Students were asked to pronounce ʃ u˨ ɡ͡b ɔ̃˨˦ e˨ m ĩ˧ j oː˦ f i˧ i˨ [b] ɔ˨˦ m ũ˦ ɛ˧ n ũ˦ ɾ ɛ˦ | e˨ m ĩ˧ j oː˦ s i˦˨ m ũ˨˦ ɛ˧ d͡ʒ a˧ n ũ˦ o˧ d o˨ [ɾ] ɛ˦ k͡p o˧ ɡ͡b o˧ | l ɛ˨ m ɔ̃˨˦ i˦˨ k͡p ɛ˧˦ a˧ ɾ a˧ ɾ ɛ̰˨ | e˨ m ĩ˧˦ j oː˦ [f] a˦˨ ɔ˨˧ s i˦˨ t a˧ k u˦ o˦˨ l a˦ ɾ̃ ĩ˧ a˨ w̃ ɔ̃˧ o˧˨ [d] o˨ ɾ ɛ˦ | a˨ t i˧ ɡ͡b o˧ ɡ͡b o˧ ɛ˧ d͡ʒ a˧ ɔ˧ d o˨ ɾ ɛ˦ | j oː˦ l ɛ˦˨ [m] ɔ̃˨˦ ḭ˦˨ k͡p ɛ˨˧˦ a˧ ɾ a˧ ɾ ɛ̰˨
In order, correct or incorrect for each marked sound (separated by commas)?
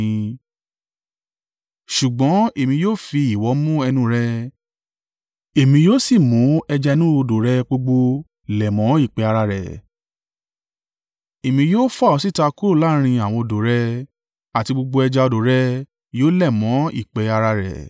incorrect, correct, correct, correct, correct